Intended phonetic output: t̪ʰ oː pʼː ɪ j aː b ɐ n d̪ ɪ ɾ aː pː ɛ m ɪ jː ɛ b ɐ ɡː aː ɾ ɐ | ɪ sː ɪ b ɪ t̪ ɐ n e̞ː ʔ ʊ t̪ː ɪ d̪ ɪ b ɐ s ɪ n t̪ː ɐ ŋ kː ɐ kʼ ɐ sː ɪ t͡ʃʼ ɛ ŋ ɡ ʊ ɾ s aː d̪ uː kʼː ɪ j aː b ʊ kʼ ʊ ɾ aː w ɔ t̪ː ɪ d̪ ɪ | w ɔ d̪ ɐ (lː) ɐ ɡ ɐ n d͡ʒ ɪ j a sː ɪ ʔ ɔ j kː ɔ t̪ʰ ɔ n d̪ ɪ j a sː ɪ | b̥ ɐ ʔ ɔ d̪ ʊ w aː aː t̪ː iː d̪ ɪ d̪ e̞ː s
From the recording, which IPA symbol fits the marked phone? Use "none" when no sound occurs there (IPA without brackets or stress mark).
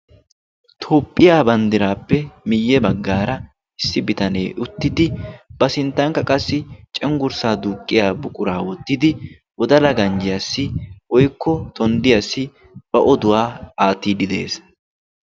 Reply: l